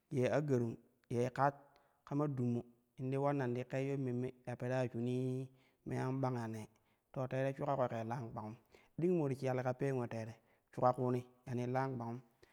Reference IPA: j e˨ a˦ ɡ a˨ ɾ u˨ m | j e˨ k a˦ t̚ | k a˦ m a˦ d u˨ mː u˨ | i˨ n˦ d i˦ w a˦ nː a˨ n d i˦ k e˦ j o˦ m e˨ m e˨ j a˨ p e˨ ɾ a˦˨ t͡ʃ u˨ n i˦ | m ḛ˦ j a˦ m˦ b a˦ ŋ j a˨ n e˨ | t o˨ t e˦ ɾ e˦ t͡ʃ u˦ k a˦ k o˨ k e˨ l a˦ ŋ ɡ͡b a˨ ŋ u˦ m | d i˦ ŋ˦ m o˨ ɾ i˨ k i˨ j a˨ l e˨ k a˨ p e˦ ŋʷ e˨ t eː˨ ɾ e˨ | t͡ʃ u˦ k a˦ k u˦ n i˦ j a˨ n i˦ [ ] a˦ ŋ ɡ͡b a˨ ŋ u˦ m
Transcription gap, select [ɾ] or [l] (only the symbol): l